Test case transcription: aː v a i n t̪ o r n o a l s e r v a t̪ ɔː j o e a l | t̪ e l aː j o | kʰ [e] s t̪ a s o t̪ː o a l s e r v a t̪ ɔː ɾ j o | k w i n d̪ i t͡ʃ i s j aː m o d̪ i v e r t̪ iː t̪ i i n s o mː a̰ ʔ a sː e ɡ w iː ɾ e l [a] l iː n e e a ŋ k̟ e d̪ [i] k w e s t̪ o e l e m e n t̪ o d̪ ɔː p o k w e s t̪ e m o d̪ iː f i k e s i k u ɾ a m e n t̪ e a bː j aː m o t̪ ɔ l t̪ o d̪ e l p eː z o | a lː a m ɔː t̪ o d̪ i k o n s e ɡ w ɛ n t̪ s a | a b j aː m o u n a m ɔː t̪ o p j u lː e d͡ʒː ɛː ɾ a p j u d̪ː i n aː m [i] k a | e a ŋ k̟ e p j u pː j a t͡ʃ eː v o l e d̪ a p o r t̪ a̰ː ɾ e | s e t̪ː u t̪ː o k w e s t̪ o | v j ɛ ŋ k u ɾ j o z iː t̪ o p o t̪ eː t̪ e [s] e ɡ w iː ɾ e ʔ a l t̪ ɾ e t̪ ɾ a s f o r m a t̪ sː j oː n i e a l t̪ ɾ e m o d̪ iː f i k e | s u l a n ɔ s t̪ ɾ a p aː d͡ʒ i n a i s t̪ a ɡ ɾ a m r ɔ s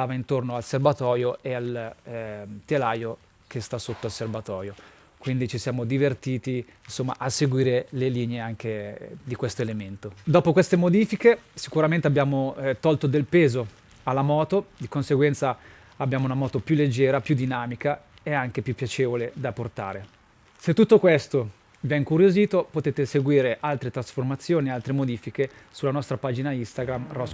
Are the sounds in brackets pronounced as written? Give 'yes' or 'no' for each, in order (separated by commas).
yes, no, yes, yes, yes